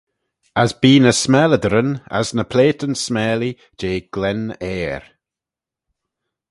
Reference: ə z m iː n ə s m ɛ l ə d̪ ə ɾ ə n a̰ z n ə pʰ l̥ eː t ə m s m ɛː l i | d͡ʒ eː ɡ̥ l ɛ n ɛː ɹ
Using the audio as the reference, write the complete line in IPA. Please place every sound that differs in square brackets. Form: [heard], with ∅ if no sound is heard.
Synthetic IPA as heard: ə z [b] iː n ə s m ɛ l ə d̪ ə ɾ ə n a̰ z n ə pʰ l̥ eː t ə [n] s m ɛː l i | d͡ʒ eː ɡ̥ l ɛ n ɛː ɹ